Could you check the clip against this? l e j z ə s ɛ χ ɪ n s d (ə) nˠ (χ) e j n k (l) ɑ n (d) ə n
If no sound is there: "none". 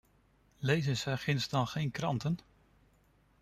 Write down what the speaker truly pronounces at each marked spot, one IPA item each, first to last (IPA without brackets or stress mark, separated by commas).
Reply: ɑ, χ, r, t